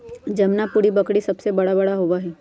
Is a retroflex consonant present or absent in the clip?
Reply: present